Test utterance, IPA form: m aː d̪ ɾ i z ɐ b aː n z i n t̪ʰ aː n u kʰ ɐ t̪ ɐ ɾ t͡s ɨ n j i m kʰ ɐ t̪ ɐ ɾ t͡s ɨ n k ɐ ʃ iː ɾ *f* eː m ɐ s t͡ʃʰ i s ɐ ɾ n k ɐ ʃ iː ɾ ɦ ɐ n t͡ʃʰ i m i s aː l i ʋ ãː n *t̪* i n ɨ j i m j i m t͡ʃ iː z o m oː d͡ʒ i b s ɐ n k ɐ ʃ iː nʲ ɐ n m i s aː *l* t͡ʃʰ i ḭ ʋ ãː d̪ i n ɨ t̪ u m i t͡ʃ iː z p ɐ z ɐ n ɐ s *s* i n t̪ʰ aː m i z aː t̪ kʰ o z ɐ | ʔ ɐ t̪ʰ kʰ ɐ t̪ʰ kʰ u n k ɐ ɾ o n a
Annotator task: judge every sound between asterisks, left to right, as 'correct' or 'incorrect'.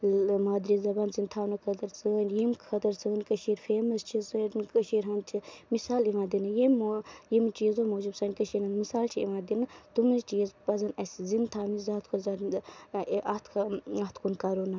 correct, incorrect, correct, incorrect

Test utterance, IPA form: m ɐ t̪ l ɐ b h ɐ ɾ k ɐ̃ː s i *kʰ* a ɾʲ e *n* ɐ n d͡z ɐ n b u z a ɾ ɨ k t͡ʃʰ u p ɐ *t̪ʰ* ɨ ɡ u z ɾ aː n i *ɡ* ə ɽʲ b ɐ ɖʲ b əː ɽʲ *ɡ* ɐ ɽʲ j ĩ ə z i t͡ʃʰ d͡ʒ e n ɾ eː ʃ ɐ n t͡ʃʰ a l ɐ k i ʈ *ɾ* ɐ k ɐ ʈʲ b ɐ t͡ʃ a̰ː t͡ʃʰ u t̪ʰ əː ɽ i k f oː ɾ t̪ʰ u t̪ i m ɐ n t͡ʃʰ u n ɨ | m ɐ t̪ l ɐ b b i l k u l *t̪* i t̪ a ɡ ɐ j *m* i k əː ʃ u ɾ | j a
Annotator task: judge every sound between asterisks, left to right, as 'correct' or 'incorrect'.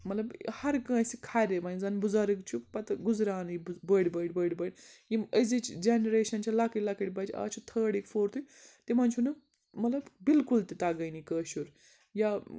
correct, incorrect, incorrect, incorrect, incorrect, incorrect, correct, incorrect

